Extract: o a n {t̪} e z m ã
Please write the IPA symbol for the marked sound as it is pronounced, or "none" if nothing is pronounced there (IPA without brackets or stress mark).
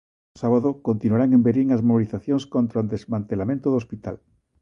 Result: d̪